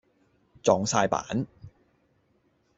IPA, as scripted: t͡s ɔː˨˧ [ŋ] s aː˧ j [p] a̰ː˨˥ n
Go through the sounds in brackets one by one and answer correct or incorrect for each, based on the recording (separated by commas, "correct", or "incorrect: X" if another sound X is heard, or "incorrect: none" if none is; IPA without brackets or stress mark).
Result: correct, correct